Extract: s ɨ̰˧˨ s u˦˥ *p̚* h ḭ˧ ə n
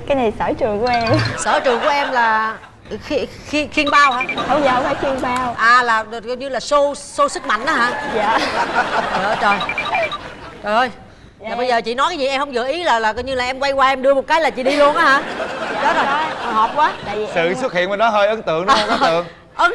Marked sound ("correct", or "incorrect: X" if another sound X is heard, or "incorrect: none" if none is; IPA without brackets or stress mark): incorrect: t̚